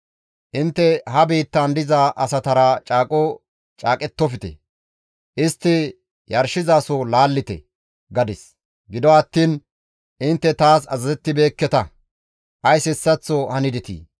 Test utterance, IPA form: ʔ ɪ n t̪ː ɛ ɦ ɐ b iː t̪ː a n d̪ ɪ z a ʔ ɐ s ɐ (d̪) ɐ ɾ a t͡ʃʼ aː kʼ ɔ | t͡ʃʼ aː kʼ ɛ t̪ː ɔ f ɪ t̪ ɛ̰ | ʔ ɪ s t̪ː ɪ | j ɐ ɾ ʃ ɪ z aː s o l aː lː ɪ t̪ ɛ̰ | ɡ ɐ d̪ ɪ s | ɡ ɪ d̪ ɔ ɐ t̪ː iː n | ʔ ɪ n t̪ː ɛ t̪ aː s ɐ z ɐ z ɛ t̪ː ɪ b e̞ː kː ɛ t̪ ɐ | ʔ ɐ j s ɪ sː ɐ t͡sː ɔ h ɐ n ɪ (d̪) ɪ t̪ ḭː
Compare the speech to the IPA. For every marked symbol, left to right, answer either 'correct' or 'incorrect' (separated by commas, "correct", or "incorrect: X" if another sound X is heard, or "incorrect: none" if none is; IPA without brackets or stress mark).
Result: incorrect: t̪, correct